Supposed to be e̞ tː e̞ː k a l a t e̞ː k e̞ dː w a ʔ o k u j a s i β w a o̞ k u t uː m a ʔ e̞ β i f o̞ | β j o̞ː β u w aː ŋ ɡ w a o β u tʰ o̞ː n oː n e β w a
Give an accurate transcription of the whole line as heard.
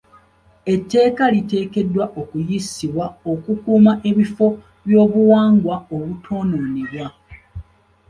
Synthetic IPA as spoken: e̞ tː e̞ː k a l i t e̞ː k e̞ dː w a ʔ o k u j i s i β w a o̞ k u k uː m a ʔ e̞ β i f o̞ | β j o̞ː β u w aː ŋ ɡ w a o β u tʰ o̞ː n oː n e β w a